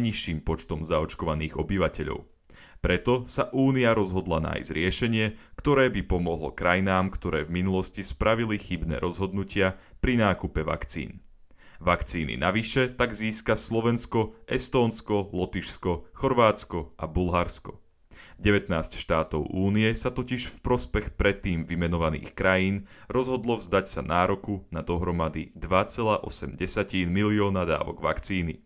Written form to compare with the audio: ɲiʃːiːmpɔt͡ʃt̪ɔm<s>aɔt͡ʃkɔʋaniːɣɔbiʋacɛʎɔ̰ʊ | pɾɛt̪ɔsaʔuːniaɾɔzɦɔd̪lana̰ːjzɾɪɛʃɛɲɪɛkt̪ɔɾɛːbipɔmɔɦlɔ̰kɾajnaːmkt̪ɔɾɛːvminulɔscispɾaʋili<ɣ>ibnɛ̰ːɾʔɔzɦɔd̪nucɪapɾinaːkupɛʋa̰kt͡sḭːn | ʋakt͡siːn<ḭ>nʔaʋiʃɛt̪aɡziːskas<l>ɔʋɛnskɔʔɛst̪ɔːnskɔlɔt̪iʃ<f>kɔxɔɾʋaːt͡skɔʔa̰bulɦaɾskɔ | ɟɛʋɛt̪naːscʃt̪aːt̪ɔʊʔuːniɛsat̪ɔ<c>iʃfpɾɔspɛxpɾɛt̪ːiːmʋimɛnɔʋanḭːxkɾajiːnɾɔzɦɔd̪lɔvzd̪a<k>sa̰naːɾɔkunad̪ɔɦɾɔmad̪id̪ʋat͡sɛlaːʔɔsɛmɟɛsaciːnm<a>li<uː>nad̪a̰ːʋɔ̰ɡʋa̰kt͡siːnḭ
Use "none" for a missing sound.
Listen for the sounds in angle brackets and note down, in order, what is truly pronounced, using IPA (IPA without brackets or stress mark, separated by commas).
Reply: z, x, ḭ, l, s, c, c, i, ɔː